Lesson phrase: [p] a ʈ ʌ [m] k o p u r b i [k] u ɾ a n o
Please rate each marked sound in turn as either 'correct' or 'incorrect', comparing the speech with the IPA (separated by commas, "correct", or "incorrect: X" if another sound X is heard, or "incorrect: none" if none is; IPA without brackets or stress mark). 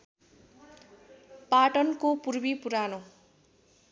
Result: correct, incorrect: n, incorrect: p